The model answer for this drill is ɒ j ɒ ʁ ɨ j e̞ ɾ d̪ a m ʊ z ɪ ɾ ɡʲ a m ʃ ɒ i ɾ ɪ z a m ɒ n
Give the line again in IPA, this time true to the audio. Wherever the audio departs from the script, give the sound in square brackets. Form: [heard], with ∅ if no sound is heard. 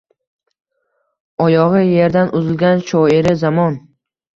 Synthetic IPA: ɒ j ɒ ʁ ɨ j e̞ ɾ d̪ a [n] ʊ z ɪ [l] ɡʲ a [n] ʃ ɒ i ɾ ɪ z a m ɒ n